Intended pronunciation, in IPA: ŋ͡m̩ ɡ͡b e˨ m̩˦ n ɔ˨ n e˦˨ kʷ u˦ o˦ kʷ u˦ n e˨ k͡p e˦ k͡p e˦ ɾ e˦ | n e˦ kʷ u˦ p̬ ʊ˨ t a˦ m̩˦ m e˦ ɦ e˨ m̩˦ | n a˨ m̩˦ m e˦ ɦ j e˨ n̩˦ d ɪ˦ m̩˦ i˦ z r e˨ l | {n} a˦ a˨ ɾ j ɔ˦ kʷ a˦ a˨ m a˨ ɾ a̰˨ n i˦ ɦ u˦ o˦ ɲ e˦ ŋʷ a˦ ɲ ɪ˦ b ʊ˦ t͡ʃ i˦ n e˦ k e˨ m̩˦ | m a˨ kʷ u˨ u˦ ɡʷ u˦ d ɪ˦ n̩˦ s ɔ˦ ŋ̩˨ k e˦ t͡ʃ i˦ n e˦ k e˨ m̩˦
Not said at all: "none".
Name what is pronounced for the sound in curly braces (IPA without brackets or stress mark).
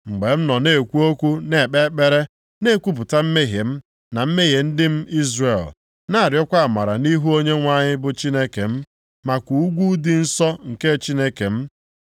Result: n